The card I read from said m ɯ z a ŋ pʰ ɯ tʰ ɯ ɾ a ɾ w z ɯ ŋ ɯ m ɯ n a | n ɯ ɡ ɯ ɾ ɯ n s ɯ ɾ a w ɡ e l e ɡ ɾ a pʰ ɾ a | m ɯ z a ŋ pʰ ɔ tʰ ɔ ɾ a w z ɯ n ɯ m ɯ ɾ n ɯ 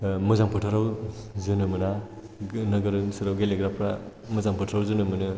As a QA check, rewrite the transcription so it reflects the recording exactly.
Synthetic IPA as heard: m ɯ z a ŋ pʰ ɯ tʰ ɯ ɾ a w z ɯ n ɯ m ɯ n a | n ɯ ɡ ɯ ɾ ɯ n s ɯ ɾ a w ɡ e l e ɡ ɾ a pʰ ɾ a | m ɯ z a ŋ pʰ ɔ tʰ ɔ ɾ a w z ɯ n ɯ m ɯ n ɯ